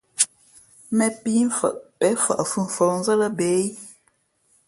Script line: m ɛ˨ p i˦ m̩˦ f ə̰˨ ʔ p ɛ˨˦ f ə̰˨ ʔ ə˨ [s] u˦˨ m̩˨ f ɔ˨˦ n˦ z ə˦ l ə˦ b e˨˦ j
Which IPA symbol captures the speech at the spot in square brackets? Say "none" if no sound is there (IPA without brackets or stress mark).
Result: f